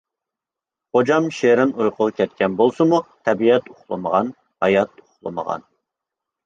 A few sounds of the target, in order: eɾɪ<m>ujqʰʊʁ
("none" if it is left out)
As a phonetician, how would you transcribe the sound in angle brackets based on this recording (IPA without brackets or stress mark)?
n